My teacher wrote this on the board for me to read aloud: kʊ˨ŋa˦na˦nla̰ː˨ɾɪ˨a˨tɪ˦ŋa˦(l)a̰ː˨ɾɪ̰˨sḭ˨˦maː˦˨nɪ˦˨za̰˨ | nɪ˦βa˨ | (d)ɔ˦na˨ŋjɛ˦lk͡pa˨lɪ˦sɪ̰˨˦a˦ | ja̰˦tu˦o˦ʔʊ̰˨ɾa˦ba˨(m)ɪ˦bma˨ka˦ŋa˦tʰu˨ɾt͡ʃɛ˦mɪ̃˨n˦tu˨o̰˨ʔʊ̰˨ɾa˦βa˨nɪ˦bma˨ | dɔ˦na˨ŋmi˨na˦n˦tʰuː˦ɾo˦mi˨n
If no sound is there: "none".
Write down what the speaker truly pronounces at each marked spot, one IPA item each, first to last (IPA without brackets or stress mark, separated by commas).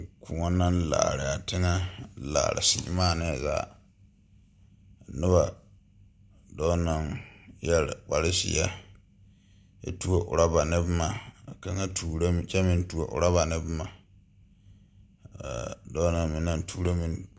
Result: l, d, n